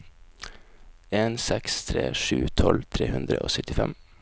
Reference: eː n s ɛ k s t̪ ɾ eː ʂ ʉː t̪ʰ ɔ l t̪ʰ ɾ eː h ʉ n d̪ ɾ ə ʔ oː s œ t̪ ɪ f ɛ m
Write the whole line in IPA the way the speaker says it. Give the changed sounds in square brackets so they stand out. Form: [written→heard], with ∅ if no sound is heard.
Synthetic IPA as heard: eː n s ɛ k s [t̪→t̪ʰ] ɾ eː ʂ ʉː t̪ʰ ɔ l t̪ʰ ɾ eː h ʉ n d̪ ɾ ə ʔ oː s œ t̪ ɪ f ɛ m